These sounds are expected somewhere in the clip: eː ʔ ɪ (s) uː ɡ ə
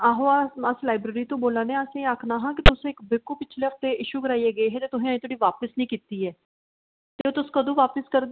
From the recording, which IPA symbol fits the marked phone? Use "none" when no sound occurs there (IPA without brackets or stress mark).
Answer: ʃ